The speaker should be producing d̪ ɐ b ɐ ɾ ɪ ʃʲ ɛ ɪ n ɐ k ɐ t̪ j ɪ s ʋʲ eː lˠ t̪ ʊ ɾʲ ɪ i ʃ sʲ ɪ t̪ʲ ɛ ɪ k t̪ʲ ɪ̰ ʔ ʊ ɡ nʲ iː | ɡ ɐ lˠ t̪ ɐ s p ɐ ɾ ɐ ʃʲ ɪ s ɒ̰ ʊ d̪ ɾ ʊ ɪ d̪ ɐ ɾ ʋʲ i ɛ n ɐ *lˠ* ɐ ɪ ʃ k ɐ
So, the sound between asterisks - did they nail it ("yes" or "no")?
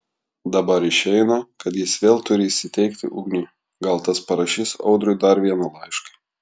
yes